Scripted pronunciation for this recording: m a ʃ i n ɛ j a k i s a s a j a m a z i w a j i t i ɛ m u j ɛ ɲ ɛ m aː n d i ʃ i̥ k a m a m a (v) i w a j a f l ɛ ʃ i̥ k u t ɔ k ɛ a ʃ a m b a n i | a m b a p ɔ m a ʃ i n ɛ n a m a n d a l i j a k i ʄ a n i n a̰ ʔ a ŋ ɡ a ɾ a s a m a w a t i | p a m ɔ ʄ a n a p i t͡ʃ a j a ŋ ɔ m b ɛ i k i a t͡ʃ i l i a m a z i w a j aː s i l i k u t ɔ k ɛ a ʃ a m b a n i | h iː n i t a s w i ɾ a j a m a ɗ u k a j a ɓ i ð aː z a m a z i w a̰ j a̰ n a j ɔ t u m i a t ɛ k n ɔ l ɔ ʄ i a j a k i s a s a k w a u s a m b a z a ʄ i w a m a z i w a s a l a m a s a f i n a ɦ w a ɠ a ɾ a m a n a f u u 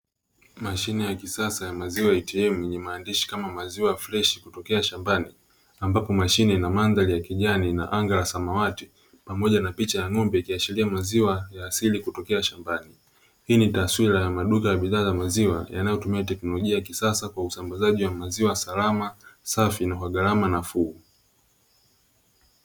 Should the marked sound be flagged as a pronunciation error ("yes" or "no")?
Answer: yes